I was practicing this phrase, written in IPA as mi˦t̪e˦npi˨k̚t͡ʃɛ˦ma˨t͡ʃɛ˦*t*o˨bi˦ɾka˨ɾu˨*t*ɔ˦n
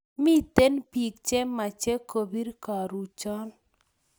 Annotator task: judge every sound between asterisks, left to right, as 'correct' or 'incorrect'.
incorrect, incorrect

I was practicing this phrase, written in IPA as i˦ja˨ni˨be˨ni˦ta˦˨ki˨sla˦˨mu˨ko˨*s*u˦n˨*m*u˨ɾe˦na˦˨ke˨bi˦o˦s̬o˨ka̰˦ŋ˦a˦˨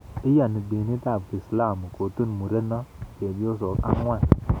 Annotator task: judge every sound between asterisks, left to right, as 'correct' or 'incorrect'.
incorrect, correct

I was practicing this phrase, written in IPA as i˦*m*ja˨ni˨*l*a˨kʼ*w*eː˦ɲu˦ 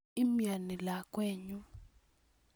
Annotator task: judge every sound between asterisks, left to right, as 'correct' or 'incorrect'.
correct, correct, correct

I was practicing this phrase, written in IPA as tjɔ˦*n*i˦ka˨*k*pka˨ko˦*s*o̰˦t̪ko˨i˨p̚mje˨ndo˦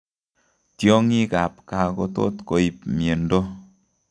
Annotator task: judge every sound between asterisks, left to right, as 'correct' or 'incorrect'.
incorrect, incorrect, incorrect

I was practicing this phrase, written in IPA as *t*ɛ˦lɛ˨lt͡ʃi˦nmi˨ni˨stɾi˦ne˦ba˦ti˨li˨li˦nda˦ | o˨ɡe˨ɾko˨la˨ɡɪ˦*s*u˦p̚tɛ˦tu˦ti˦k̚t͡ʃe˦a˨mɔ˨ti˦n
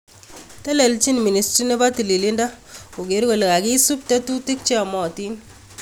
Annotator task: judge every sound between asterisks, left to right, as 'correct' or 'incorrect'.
correct, correct

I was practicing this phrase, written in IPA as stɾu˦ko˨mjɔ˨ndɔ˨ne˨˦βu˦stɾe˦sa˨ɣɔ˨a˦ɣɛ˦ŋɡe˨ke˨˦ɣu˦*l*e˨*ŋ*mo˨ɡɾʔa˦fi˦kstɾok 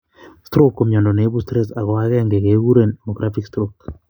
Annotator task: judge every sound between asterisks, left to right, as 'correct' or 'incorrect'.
incorrect, incorrect

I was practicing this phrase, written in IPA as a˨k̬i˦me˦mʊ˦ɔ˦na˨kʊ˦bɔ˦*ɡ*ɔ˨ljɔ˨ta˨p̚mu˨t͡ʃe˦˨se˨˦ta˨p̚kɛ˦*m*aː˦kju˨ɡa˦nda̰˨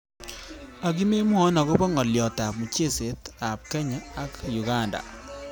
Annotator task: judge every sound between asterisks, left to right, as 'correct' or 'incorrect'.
incorrect, incorrect

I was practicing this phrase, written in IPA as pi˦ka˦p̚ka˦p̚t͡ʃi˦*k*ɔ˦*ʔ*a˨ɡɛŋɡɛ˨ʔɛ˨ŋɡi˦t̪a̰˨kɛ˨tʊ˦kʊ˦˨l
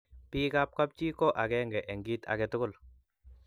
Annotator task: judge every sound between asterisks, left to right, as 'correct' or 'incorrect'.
correct, correct

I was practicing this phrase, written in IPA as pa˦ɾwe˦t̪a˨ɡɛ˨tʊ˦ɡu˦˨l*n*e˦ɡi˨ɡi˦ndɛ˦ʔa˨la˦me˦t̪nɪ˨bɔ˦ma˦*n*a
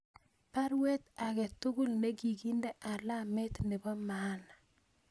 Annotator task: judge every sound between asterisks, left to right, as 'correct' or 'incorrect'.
correct, correct

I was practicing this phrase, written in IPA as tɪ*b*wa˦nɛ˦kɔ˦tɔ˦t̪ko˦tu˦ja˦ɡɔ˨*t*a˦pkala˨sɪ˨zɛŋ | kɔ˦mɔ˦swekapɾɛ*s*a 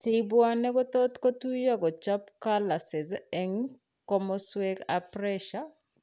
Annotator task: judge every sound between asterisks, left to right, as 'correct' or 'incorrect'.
correct, incorrect, incorrect

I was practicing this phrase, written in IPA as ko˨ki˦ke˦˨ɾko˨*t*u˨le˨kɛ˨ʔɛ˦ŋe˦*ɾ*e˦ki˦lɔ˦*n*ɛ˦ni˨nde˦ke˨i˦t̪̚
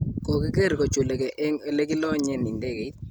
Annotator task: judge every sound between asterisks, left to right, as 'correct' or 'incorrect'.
incorrect, incorrect, incorrect

